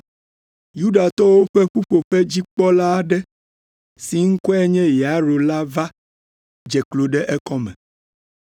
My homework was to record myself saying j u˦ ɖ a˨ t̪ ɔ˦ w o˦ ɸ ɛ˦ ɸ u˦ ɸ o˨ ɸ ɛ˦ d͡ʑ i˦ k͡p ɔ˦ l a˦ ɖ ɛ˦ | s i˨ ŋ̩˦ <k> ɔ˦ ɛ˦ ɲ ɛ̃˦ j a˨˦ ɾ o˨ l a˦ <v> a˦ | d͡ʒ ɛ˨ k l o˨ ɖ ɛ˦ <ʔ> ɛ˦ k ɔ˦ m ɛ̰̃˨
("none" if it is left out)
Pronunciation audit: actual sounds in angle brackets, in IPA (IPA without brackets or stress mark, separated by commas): k, v, ʔ